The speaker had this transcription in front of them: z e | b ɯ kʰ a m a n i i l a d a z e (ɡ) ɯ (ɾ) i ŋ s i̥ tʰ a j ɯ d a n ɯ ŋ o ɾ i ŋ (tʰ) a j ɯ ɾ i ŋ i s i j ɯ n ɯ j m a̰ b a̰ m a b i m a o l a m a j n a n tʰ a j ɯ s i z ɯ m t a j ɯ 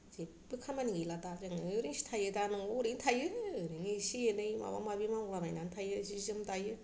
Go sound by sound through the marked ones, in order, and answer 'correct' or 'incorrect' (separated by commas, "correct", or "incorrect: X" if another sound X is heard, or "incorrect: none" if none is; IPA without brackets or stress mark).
incorrect: ŋ, correct, correct